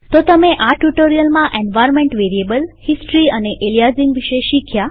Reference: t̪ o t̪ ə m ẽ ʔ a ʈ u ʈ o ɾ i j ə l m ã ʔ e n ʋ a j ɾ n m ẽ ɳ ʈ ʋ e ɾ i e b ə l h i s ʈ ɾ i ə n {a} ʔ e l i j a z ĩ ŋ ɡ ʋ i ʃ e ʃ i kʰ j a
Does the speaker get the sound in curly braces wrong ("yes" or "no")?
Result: yes